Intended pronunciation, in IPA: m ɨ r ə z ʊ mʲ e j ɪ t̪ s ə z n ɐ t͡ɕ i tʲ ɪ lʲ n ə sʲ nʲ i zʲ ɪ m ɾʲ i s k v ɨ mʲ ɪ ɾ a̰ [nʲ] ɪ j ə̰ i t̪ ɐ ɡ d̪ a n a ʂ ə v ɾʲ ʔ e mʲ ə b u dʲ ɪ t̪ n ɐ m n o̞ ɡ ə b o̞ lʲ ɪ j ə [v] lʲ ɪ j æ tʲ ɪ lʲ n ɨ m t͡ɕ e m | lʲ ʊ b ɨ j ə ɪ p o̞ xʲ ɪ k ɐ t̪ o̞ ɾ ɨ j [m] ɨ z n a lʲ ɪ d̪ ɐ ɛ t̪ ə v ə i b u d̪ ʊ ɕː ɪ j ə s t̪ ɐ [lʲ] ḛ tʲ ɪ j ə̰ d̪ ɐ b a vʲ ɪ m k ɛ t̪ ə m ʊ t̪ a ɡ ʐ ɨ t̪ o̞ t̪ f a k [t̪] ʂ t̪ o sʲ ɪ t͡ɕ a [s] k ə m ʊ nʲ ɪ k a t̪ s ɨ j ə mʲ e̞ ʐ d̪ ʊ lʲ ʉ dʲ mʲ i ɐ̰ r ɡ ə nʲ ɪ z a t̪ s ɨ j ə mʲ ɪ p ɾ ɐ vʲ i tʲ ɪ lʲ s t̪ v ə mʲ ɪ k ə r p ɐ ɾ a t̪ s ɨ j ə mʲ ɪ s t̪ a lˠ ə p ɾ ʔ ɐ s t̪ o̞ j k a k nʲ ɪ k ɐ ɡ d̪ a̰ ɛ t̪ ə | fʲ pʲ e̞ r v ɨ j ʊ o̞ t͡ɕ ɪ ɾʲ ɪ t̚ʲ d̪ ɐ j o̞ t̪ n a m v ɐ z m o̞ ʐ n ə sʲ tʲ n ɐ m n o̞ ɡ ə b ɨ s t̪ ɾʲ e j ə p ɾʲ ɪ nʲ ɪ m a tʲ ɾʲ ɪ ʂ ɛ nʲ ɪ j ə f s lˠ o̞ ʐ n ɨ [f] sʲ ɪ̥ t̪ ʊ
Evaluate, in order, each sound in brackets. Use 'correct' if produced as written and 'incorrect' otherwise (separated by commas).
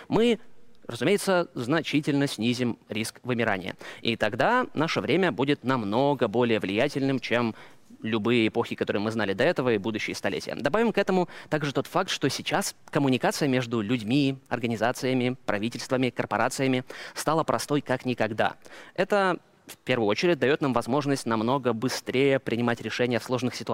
correct, correct, correct, correct, correct, correct, incorrect